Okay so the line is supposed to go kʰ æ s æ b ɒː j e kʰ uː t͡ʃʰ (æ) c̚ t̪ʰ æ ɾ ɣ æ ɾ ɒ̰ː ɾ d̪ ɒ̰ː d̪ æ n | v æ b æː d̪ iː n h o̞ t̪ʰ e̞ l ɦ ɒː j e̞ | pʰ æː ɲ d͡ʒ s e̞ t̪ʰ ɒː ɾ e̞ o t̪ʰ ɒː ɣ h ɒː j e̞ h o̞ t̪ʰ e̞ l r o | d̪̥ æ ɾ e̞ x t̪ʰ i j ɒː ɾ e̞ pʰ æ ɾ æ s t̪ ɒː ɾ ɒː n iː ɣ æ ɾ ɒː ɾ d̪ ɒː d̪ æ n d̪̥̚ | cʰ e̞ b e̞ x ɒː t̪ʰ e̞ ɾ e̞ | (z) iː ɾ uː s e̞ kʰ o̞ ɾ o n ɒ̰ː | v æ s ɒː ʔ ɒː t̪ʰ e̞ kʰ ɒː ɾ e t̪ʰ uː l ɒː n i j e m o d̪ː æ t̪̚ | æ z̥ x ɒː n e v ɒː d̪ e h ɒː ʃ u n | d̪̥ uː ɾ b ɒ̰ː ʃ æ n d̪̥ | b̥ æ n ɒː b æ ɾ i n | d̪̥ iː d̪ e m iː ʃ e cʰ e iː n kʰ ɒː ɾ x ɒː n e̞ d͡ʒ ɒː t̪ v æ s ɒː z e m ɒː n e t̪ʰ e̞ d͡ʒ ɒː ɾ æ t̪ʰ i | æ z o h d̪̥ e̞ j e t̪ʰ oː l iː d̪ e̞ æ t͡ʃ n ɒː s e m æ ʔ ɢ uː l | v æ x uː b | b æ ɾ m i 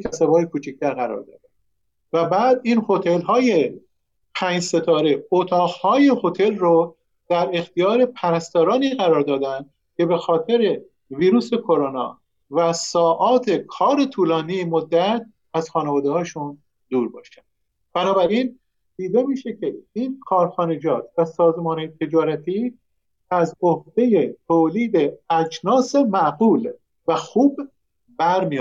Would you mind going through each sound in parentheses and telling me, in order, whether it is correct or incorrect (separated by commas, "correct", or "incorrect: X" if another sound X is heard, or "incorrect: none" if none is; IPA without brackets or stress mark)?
incorrect: i, incorrect: v